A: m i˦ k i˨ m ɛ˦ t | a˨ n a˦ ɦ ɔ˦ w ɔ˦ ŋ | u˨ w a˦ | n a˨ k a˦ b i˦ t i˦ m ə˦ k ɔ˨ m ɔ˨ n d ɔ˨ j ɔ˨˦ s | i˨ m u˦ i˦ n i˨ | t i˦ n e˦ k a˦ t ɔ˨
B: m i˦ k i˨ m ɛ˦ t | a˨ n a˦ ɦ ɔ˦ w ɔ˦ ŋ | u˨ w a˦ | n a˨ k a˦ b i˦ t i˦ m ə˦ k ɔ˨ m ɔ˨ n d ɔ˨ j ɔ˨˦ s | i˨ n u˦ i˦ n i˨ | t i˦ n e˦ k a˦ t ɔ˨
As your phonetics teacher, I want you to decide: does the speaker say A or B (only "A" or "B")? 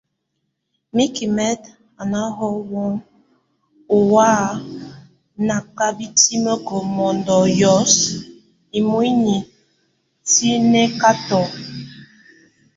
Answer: A